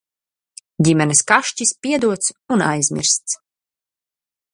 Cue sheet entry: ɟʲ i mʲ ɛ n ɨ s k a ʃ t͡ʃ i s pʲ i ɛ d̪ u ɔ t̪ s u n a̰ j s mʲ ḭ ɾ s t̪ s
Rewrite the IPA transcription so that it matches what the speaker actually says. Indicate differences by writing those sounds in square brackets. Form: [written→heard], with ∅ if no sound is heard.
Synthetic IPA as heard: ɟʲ i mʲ ɛ n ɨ s k a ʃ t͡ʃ i s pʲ i ɛ d̪ u ɔ t̪ s u n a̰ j [s→z] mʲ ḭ ɾ s t̪ s